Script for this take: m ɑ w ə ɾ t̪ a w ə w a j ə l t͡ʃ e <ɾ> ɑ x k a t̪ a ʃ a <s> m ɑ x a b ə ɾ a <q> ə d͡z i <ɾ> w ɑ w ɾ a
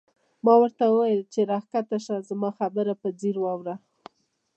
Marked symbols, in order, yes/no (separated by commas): yes, no, no, yes